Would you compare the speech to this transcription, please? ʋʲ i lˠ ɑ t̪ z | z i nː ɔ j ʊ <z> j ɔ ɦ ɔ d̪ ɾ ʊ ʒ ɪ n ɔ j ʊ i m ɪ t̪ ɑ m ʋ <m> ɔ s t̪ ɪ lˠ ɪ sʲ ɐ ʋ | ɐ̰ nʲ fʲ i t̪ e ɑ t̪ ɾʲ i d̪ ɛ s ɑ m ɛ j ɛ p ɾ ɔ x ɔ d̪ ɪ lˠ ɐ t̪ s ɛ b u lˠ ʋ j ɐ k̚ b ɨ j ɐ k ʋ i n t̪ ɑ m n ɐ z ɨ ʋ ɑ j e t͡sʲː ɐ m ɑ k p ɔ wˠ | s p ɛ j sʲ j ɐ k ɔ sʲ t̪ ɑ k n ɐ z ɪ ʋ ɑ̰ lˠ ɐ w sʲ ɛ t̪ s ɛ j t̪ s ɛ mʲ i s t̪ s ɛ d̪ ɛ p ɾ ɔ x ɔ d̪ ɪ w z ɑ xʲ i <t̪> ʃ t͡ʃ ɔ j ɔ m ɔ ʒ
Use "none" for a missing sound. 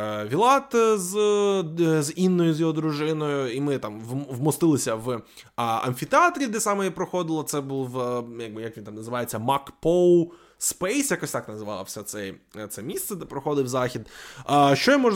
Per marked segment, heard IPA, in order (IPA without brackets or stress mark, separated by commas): z, m, d̪